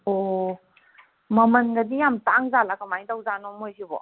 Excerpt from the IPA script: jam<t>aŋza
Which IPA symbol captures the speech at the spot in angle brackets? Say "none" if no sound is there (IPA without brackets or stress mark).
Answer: t